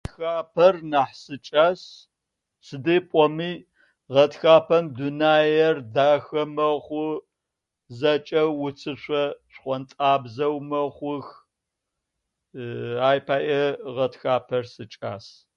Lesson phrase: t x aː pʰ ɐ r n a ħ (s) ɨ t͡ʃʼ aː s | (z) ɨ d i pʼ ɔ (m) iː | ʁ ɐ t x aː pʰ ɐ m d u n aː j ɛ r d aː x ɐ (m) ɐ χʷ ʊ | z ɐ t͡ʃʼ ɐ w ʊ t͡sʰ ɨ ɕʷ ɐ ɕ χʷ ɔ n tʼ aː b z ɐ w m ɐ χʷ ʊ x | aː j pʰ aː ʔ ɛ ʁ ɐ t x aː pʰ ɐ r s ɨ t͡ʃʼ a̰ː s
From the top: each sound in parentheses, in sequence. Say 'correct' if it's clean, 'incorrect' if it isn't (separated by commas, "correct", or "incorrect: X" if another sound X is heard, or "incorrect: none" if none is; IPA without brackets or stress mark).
correct, incorrect: s, correct, correct